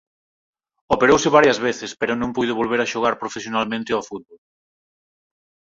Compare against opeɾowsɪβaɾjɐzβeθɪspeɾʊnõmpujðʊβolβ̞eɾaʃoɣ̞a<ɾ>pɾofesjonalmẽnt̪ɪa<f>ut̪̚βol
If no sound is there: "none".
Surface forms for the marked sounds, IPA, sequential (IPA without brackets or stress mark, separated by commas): ɾ, f